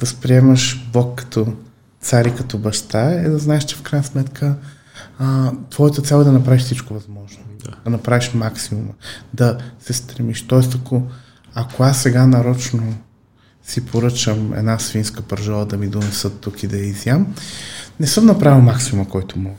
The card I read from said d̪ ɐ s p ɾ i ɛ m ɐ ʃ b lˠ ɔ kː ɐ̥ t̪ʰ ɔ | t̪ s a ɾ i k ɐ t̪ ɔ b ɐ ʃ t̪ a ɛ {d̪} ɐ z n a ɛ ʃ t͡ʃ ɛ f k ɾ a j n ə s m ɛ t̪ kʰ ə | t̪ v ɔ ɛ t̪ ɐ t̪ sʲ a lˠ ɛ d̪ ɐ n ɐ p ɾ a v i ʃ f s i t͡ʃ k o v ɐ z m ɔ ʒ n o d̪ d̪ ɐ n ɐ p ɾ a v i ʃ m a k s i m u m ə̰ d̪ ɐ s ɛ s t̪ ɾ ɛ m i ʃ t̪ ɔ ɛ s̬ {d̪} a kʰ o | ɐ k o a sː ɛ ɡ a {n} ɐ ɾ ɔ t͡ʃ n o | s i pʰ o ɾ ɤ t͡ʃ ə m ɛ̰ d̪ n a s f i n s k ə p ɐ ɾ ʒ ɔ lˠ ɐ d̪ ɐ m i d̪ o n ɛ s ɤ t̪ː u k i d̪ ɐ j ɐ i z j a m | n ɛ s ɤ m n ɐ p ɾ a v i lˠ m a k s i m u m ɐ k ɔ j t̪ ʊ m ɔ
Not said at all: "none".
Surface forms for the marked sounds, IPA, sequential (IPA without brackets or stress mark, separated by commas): d̪, t̪, n